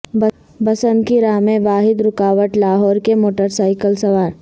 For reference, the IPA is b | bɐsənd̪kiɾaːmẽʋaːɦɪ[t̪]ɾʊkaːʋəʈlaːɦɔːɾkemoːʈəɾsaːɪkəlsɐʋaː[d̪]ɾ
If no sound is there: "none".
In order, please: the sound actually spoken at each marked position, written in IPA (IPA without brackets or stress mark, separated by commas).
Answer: d̪, none